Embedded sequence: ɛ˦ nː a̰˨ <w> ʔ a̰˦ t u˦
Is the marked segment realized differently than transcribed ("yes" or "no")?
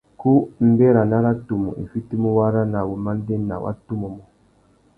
no